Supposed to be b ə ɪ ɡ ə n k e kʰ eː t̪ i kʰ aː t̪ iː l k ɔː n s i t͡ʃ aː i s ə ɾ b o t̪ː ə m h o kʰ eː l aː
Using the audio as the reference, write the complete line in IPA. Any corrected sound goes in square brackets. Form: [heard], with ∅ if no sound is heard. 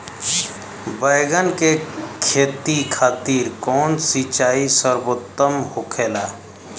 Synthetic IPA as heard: b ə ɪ ɡ ə n k e kʰ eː t̪ i kʰ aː t̪ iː [ɾ] k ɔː n s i t͡ʃ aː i s ə ɾ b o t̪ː ə m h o kʰ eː l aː